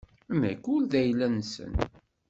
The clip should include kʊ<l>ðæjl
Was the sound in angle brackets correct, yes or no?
yes